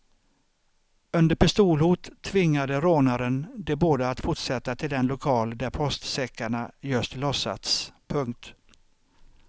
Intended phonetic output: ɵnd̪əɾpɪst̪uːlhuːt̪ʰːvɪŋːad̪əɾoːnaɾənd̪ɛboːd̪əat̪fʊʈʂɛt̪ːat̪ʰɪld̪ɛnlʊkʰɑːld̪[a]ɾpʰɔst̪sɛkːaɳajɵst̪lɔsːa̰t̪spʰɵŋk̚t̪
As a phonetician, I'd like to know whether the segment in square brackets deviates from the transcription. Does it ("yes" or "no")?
yes